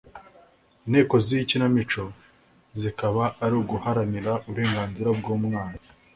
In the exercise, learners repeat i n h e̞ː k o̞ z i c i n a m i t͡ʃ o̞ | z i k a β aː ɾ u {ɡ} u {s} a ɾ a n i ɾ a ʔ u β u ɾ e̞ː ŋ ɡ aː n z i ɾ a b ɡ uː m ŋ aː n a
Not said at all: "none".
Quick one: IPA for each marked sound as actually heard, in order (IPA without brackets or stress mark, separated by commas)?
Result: ɡ, h